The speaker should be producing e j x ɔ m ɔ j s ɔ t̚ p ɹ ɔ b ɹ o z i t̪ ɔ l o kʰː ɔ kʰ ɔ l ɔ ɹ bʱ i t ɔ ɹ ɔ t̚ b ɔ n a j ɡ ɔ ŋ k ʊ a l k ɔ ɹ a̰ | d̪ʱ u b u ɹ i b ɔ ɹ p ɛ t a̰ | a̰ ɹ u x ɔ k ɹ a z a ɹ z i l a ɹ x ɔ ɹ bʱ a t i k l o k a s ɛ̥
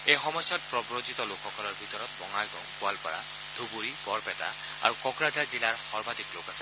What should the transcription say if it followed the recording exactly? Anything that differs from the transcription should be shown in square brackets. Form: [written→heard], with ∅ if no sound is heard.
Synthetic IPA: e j x ɔ m ɔ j s ɔ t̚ p ɹ ɔ b ɹ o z i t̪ ɔ l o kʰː ɔ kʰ ɔ l ɔ ɹ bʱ i t ɔ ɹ ɔ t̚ b ɔ [n→ŋ] a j ɡ ɔ ŋ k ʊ a l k ɔ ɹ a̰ | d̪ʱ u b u ɹ i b ɔ ɹ p ɛ t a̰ | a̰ ɹ u [x→k] ɔ k ɹ a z a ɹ z i l a ɹ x ɔ ɹ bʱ a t i k l o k a s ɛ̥